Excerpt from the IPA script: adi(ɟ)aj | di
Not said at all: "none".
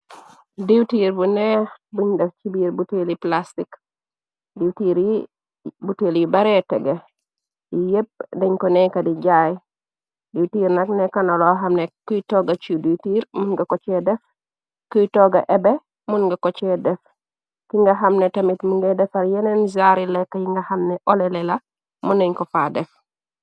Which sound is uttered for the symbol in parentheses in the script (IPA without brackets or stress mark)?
ɟ